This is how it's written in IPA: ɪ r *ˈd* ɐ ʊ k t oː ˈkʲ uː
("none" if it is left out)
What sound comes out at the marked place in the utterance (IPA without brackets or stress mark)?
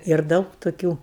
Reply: d